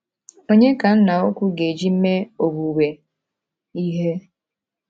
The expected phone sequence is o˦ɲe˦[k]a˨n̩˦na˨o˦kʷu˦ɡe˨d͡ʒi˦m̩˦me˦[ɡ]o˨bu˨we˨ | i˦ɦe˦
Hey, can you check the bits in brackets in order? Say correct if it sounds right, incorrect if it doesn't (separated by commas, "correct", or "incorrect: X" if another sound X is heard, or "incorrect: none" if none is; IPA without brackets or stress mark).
correct, incorrect: none